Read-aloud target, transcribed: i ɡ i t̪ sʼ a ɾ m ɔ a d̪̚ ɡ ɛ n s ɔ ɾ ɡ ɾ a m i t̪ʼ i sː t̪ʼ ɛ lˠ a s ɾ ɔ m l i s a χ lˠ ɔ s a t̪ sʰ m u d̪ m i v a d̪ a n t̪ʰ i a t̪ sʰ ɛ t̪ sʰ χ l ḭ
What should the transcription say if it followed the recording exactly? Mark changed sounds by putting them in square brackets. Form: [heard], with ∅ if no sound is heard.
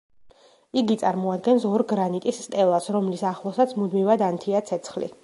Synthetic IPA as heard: i ɡ i t̪ sʼ a ɾ m ɔ a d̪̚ ɡ ɛ n s ɔ ɾ ɡ ɾ a [n] i t̪ʼ i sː t̪ʼ ɛ lˠ a s ɾ ɔ m l i s a χ lˠ ɔ s a t̪ sʰ m u d̪ m i v a d̪ a n t̪ʰ i a t̪ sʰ ɛ t̪ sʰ χ l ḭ

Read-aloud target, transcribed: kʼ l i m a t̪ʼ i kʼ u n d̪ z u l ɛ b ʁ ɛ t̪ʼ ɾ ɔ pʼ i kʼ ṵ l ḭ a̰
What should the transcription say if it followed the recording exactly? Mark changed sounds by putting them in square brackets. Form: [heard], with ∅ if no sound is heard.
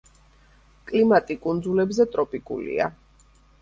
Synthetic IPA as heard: kʼ l i m a t̪ʼ i kʼ u n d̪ z u l ɛ b [z] ɛ t̪ʼ ɾ ɔ pʼ i kʼ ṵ l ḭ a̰

